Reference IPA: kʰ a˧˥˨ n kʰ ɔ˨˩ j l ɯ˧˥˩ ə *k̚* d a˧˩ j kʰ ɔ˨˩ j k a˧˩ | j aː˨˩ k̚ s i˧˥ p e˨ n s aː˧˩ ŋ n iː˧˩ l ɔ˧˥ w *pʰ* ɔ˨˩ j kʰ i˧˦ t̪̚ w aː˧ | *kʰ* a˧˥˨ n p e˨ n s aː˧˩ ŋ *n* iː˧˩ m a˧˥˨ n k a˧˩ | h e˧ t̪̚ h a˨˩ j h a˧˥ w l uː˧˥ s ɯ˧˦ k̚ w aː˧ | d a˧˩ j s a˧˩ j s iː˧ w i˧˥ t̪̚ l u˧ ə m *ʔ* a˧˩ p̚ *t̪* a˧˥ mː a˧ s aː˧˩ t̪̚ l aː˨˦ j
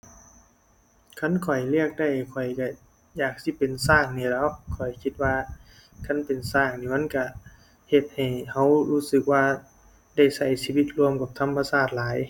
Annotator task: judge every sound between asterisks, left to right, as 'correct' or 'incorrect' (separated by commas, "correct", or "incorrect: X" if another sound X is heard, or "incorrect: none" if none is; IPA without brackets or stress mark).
correct, incorrect: kʰ, correct, correct, incorrect: k, incorrect: t̪ʰ